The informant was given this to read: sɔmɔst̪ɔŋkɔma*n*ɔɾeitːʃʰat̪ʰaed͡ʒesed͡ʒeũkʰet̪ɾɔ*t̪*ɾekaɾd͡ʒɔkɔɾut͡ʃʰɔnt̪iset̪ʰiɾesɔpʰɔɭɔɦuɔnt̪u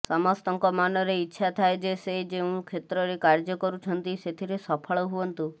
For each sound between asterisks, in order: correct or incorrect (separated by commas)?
correct, incorrect